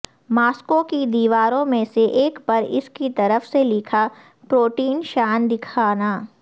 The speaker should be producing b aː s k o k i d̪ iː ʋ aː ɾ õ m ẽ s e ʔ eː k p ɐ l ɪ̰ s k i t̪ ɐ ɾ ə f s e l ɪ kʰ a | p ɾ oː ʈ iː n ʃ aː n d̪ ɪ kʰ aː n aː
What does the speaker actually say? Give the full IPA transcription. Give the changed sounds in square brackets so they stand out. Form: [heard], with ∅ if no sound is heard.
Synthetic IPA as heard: [m] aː s k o k i d̪ iː ʋ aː ɾ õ m ẽ s e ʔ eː k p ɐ [ɾ] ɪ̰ s k i t̪ ɐ ɾ ə f s e l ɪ kʰ a | p ɾ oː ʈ iː n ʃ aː n d̪ ɪ kʰ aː n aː